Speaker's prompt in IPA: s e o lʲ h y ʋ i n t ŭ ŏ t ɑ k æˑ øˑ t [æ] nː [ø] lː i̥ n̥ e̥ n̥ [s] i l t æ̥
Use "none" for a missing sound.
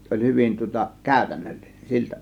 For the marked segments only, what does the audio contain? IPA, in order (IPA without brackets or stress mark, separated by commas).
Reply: æ, ø, s